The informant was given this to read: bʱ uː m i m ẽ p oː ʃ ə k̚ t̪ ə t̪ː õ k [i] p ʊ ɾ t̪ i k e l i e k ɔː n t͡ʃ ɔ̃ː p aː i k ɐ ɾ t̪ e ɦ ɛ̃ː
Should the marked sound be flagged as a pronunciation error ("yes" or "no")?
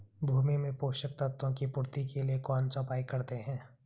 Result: no